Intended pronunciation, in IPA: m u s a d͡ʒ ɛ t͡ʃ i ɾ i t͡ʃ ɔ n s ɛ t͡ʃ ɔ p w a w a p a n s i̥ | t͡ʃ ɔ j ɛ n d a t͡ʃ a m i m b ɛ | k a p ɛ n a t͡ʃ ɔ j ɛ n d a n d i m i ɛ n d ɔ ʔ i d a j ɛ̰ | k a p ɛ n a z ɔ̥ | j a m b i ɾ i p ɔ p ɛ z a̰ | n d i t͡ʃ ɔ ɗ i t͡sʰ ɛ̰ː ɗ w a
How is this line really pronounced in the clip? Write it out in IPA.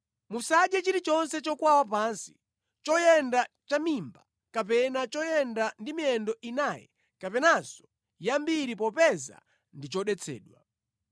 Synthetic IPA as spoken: m u s a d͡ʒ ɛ t͡ʃ i ɾ i t͡ʃ ɔ n s ɛ t͡ʃ ɔ k w a w a p a n s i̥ | t͡ʃ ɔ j ɛ n d a t͡ʃ a m i m b a | k a p ɛ n a t͡ʃ ɔ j ɛ n d a n d i m i ɛ n d ɔ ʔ i n a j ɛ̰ | k a p ɛ n a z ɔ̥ | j a m b i ɾ i p ɔ p ɛ z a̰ | n d i t͡ʃ ɔ ɗ ɛ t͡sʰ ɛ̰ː ɗ w a